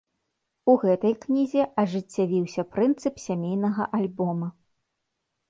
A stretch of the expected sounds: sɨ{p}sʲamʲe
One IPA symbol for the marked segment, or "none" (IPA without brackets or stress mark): p